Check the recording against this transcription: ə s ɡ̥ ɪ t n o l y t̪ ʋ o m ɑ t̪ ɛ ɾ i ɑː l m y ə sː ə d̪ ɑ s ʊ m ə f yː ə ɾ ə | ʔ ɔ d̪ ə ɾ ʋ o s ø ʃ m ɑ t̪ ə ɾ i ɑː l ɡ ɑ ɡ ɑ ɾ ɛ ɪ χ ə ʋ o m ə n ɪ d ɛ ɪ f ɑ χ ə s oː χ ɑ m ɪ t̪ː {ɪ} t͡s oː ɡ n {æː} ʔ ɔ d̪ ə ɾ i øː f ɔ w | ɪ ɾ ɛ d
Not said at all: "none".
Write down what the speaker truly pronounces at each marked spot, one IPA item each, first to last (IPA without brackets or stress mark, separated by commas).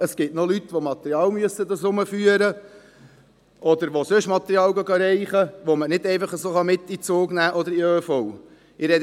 i, æː